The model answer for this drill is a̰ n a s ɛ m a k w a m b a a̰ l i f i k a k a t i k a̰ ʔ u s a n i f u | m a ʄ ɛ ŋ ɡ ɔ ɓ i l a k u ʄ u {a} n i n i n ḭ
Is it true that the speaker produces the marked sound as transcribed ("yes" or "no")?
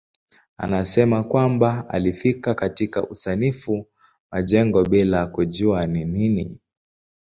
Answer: yes